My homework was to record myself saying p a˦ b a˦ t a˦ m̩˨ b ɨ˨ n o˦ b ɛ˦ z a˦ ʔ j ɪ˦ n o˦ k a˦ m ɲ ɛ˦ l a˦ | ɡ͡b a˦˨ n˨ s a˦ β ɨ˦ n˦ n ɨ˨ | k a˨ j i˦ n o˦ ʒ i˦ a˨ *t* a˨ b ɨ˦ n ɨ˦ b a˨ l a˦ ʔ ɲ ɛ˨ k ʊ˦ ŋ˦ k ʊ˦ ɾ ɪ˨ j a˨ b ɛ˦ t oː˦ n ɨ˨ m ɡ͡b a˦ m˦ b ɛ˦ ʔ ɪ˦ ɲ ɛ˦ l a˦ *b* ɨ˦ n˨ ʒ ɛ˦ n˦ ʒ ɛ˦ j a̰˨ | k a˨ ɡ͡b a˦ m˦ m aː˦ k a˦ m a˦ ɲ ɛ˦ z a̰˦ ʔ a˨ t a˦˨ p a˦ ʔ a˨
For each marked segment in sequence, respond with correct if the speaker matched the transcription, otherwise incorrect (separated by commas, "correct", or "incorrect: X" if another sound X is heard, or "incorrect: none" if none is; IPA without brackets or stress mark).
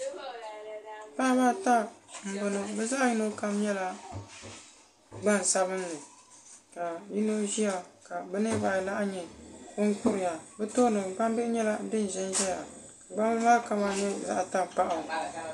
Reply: incorrect: k, incorrect: d